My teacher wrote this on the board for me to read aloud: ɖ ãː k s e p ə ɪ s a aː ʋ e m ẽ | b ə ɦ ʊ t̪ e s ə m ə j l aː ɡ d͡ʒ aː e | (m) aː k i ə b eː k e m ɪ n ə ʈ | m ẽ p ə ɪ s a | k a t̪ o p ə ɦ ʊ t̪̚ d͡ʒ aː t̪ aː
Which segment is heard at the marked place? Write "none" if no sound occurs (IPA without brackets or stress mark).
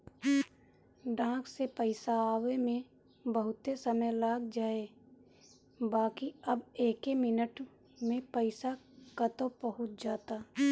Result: b